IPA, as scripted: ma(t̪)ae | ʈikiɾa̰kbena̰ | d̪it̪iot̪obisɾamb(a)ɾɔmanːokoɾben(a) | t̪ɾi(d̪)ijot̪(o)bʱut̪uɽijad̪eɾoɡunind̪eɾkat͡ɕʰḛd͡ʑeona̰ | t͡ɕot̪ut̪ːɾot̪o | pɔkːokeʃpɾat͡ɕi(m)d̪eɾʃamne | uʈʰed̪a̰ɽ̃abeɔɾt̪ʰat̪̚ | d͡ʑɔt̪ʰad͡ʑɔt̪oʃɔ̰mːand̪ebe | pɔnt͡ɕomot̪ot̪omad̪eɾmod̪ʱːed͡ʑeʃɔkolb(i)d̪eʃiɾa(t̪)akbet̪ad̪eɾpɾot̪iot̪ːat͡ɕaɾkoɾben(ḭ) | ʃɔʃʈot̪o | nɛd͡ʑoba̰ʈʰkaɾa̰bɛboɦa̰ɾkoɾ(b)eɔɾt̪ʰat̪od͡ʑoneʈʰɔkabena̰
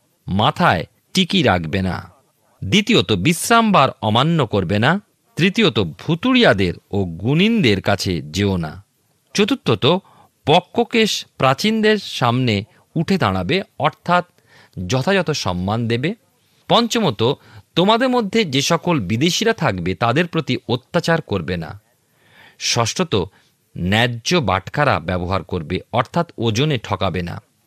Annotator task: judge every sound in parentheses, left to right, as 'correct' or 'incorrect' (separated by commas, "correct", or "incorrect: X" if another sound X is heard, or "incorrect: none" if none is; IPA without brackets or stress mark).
incorrect: t̪ʰ, correct, correct, incorrect: t̪, correct, incorrect: n, correct, incorrect: t̪ʰ, incorrect: a̰, correct